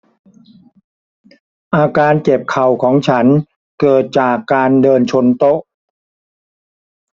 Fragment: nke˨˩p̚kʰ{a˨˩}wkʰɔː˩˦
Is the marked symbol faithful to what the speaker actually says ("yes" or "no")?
yes